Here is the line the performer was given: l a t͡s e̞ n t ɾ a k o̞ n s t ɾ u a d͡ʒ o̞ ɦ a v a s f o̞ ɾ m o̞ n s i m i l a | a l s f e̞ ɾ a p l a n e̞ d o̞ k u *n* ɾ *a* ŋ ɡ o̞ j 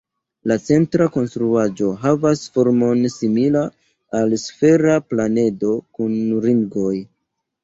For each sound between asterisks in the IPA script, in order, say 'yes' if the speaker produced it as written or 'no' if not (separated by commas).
yes, no